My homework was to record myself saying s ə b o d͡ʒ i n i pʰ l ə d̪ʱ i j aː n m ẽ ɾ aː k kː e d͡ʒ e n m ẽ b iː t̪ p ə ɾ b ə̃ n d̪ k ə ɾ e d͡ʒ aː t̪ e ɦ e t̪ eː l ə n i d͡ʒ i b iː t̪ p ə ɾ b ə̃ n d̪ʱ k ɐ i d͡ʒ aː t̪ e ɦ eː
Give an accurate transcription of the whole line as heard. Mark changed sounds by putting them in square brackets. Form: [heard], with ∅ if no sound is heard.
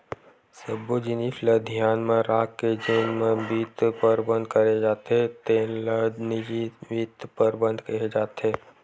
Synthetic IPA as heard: s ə b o d͡ʒ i n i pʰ l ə d̪ʱ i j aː n m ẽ ɾ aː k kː e d͡ʒ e n m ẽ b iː t̪ p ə ɾ b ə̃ n d̪ k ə ɾ e d͡ʒ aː t̪ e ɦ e t̪ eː l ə n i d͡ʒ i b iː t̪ p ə ɾ b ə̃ n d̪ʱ k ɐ [e] d͡ʒ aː t̪ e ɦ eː